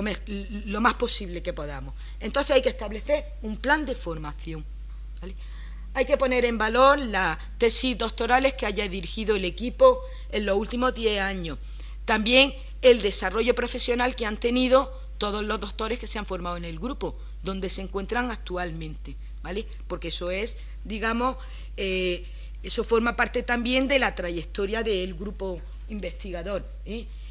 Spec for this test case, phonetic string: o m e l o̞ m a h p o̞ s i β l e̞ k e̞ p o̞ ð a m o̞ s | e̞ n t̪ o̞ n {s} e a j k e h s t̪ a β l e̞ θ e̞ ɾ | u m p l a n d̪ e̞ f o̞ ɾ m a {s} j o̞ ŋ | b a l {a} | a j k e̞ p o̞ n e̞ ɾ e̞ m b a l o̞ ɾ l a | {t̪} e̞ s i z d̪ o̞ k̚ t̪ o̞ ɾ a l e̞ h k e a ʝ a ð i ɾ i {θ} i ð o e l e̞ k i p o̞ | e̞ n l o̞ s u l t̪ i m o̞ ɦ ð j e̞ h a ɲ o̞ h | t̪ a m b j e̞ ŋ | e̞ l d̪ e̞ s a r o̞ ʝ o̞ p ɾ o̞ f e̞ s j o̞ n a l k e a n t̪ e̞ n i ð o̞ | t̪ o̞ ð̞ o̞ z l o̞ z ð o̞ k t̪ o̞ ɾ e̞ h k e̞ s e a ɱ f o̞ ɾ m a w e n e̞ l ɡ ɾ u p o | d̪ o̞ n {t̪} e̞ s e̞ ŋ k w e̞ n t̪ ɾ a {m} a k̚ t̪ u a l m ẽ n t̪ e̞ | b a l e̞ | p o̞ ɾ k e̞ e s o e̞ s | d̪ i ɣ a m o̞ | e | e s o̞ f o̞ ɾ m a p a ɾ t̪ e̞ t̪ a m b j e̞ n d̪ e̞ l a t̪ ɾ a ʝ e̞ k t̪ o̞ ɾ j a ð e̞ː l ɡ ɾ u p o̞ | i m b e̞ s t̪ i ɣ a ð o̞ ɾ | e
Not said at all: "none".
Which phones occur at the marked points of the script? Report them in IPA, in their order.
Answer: θ, θ, e, t̪, x, d̪, ŋ

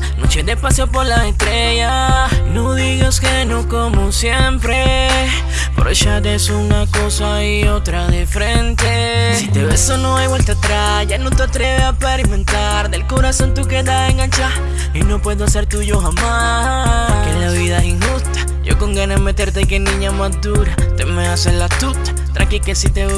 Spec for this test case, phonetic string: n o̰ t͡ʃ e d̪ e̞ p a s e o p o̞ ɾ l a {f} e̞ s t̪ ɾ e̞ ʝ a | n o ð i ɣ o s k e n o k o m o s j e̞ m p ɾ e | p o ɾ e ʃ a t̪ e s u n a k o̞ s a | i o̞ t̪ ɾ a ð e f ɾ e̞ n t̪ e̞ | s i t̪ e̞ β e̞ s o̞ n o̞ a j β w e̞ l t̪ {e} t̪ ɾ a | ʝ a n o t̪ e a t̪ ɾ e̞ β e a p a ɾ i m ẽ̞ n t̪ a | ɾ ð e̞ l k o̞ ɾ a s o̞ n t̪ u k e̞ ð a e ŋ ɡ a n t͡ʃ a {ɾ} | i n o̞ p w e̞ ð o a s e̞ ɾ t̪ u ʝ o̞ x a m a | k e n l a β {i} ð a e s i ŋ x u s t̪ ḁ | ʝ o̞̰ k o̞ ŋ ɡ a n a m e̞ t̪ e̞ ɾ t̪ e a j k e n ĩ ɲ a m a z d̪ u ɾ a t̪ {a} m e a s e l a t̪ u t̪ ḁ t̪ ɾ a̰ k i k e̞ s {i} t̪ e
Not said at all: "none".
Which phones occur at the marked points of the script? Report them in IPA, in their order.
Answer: s, a, ɾ, i, e, i

